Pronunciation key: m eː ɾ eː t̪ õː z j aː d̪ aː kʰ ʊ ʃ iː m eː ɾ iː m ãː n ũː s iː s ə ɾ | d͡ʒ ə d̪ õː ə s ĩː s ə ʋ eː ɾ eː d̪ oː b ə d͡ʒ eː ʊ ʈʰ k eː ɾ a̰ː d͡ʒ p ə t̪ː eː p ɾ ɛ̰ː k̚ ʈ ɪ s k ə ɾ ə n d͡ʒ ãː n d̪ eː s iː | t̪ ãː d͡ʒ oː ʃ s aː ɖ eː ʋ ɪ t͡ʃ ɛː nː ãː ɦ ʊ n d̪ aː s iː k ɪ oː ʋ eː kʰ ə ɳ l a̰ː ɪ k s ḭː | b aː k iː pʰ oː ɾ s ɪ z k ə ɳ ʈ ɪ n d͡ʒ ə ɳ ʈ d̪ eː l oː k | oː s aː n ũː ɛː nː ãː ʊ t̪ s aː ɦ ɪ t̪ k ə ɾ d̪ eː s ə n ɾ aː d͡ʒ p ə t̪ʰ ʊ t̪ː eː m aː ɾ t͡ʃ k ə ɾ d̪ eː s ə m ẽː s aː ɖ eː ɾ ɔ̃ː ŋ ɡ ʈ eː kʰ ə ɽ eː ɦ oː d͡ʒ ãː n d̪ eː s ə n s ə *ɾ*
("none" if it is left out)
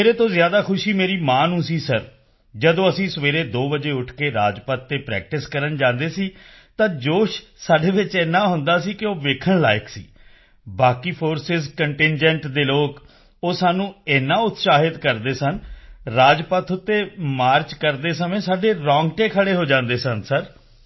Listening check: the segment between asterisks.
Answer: ɾ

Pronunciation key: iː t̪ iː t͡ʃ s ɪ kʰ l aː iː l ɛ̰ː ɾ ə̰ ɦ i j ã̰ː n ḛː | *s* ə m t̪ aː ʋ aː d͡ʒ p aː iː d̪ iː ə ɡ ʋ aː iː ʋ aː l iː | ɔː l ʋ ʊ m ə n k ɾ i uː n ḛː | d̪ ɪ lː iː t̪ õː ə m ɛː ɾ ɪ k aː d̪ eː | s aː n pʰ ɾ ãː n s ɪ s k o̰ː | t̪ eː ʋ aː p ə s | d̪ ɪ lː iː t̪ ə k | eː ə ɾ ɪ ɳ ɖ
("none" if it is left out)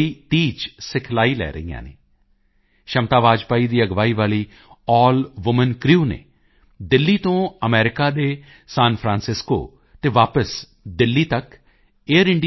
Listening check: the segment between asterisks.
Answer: ʃ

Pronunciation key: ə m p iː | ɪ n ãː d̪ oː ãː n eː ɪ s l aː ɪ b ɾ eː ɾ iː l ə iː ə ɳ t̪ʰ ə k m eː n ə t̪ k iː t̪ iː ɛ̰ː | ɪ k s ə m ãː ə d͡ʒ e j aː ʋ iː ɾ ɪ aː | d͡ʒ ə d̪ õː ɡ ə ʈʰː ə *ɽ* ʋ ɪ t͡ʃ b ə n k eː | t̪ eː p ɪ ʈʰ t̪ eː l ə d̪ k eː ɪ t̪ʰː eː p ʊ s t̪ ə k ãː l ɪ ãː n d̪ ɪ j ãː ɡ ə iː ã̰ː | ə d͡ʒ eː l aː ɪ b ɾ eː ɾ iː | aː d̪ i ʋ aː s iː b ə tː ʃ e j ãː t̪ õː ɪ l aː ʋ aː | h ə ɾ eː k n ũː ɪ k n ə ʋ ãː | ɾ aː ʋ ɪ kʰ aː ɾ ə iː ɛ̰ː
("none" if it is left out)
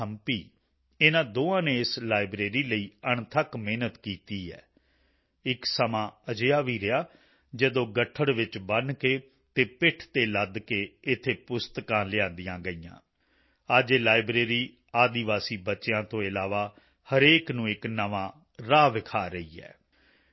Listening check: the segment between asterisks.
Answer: ɽ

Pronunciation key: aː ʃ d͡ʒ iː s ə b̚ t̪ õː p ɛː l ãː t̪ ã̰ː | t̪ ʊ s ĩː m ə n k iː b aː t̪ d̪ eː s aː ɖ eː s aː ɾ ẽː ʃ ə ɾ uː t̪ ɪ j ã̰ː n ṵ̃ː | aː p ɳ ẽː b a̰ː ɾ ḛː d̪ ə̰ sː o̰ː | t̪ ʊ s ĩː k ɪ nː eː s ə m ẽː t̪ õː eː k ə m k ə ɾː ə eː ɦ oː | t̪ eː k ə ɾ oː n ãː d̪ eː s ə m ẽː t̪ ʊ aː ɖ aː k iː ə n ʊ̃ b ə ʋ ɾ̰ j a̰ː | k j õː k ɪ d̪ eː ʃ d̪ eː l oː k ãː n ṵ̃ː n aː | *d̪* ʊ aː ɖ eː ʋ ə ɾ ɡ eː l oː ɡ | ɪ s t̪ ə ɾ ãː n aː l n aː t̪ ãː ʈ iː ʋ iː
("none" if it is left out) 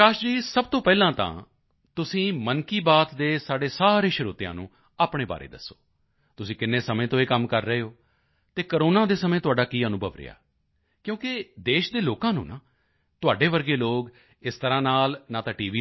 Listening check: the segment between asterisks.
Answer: t̪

